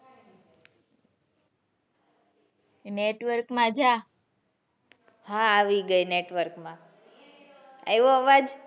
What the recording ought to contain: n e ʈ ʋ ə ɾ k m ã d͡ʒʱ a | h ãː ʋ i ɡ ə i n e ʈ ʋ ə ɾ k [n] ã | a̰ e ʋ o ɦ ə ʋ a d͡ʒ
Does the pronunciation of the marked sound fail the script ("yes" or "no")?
yes